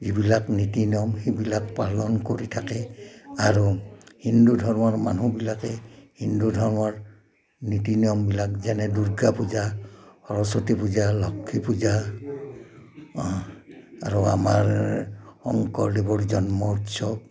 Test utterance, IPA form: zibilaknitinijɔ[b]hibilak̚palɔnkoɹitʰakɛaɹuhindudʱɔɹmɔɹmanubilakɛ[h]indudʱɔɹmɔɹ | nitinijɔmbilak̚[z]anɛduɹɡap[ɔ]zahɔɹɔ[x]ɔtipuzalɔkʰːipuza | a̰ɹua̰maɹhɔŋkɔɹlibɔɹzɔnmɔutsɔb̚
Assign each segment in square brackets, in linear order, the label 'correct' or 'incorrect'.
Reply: incorrect, correct, correct, incorrect, incorrect

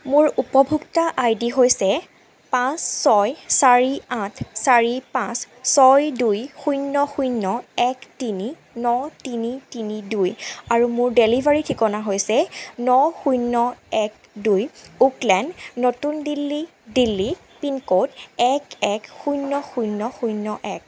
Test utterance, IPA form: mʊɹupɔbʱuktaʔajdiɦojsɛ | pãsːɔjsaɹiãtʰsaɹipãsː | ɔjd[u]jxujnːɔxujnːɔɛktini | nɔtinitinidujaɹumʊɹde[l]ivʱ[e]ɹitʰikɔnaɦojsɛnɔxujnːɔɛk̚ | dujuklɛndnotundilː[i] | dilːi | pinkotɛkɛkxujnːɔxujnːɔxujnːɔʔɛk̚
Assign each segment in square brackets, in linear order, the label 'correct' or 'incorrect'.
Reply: correct, correct, incorrect, correct

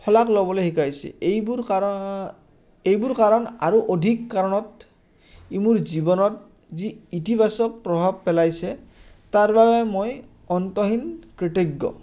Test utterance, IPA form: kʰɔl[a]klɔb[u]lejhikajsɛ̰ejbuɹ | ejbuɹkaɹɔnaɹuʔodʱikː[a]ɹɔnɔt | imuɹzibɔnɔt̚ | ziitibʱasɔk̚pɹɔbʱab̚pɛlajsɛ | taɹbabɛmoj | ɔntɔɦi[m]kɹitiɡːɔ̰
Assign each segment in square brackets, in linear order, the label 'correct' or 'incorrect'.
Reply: correct, incorrect, correct, incorrect

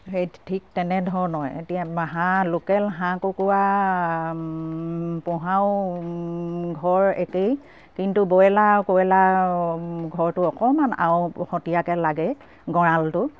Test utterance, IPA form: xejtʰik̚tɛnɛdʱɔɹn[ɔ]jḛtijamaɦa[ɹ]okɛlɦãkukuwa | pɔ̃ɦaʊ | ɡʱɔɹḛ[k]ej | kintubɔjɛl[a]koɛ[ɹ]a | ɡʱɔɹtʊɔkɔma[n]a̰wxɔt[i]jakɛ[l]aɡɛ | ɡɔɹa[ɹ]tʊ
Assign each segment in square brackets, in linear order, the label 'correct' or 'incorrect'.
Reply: correct, incorrect, correct, correct, incorrect, correct, correct, correct, incorrect

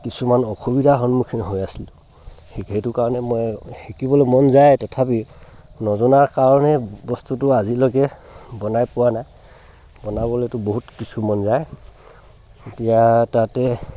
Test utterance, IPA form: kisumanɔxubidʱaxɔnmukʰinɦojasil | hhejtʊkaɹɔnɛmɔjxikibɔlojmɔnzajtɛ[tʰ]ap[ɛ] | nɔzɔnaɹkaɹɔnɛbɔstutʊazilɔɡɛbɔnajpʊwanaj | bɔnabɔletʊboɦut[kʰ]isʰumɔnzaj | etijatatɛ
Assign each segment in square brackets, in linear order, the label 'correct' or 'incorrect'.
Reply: correct, incorrect, incorrect

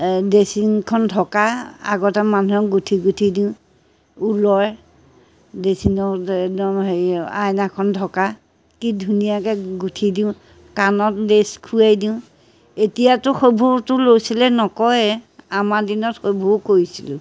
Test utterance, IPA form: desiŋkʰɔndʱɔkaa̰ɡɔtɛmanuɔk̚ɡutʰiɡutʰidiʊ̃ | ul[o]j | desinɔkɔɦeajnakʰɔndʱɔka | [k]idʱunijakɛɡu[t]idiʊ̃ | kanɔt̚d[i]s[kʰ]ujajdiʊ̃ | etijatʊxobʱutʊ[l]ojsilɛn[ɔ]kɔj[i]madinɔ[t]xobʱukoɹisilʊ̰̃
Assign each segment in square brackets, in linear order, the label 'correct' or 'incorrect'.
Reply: incorrect, correct, incorrect, incorrect, correct, correct, correct, incorrect, correct

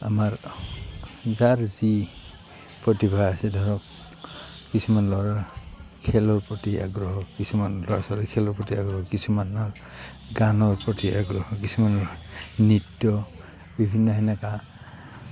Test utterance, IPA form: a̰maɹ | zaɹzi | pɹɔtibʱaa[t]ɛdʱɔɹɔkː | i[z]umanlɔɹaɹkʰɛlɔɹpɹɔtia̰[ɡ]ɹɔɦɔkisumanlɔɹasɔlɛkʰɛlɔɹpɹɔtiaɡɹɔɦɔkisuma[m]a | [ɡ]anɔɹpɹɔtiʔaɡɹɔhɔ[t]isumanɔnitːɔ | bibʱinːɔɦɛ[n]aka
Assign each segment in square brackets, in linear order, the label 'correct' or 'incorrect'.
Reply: incorrect, incorrect, correct, incorrect, correct, incorrect, correct

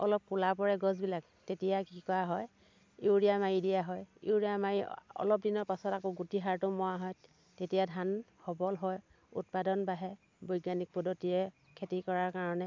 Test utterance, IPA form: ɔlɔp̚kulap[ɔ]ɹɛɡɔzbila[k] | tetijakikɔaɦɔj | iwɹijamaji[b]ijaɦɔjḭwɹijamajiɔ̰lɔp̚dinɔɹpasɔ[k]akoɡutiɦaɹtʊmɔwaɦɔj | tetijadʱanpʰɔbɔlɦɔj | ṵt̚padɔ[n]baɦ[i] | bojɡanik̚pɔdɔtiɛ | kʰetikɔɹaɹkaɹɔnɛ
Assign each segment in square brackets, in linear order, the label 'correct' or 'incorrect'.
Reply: correct, correct, incorrect, incorrect, correct, incorrect

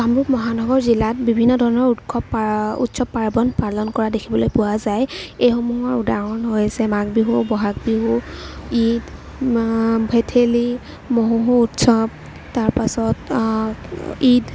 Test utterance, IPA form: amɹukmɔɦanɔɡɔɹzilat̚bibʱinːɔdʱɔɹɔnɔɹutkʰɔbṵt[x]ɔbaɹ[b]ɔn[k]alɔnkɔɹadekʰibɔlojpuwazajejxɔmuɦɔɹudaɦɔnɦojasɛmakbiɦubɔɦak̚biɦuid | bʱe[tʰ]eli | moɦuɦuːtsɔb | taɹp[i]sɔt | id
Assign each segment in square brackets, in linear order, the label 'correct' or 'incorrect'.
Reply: incorrect, correct, incorrect, correct, incorrect

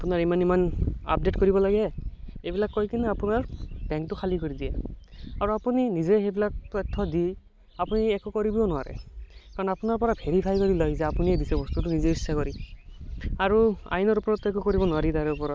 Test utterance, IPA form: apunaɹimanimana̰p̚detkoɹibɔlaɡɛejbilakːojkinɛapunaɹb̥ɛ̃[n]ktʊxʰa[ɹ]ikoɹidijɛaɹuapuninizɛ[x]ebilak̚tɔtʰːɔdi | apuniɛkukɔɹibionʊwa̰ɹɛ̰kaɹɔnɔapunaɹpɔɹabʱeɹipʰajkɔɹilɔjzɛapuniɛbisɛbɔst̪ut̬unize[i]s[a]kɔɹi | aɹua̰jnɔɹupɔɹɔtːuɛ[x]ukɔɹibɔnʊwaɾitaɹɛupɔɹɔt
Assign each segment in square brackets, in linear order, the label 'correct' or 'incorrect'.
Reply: incorrect, incorrect, correct, correct, correct, incorrect

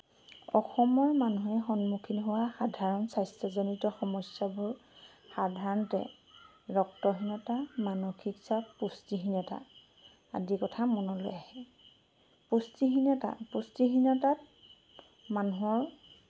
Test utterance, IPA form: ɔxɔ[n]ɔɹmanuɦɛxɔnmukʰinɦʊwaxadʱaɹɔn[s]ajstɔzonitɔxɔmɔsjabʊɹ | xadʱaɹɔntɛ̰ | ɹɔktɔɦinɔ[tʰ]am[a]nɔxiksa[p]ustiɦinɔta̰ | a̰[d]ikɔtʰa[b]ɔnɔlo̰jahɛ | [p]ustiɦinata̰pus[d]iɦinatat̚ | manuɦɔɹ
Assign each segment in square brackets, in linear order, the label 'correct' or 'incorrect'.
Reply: incorrect, correct, incorrect, correct, correct, correct, incorrect, correct, incorrect

